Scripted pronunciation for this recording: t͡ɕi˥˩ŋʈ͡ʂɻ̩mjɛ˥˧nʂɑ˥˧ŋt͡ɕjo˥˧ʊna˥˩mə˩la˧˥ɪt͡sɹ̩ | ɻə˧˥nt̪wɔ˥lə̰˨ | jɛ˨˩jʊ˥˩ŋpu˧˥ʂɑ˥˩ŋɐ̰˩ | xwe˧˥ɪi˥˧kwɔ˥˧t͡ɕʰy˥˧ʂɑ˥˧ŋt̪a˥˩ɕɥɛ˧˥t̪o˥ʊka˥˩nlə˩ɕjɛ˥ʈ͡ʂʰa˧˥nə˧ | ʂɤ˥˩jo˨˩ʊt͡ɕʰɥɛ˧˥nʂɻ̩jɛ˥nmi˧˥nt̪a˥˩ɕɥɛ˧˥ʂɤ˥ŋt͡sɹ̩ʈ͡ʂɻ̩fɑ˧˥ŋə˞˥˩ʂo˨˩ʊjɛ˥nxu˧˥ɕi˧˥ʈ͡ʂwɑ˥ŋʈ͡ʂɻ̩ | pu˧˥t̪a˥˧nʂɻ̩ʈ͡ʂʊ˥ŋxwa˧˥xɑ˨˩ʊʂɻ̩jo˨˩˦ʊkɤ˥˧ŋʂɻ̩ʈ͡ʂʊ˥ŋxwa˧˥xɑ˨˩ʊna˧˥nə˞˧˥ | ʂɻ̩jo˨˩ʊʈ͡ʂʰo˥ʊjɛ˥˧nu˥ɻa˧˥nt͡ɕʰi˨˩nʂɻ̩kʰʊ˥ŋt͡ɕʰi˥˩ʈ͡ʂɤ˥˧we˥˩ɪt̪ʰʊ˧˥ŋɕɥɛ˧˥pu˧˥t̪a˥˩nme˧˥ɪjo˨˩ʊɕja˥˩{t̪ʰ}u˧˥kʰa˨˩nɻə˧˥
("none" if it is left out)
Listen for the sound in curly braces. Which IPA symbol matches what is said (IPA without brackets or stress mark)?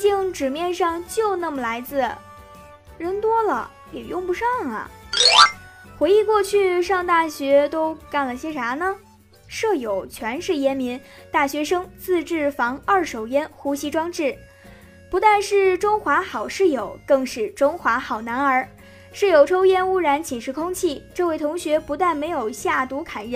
t̪